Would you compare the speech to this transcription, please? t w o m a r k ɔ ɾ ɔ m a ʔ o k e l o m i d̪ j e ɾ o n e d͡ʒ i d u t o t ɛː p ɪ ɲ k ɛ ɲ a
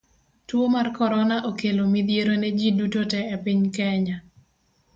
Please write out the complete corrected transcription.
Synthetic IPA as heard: t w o m a r k ɔ ɾ ɔ n a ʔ o k e l o m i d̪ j e ɾ o n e d͡ʒ i d u t o t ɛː p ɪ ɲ k ɛ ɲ a